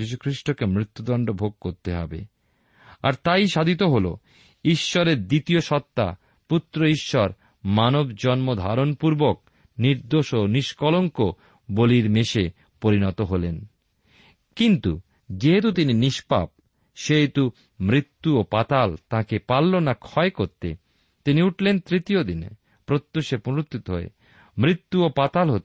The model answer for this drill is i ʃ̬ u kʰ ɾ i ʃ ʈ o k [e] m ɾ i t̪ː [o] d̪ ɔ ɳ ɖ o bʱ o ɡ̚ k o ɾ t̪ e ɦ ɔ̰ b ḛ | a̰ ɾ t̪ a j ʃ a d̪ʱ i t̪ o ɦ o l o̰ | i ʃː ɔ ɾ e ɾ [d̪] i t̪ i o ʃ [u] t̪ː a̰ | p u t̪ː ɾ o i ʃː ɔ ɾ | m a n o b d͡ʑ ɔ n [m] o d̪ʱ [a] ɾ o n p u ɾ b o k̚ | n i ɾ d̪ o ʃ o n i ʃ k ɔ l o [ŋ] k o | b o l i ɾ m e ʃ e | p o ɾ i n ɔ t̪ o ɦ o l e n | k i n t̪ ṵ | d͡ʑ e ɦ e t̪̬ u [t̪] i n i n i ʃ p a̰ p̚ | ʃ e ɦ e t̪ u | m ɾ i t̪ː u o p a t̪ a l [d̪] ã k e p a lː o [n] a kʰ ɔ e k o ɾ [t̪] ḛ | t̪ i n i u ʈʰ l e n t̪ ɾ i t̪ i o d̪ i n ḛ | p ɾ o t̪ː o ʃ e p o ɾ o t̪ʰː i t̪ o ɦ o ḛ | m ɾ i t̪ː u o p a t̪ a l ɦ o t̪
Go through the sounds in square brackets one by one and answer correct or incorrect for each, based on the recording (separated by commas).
correct, incorrect, correct, incorrect, correct, correct, correct, correct, incorrect, correct, correct